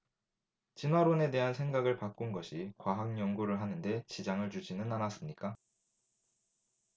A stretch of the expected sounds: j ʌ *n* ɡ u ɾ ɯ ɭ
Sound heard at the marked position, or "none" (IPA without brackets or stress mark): ŋ